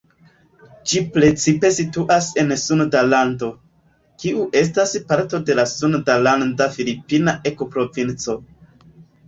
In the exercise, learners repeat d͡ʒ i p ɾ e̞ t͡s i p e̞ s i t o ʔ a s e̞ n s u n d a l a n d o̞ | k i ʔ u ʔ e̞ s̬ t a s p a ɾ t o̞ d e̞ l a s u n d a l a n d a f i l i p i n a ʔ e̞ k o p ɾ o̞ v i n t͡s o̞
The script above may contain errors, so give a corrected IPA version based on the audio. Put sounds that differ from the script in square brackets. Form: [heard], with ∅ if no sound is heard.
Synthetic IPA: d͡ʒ i p ɾ e̞ t͡s i p e̞ s i t [u] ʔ a s e̞ n s u n d a l a n d o̞ | k i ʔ u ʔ e̞ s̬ t a s p a ɾ t o̞ d e̞ l a s u n d a l a n d a f i l i p i n a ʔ e̞ k o p ɾ o̞ v i n t͡s o̞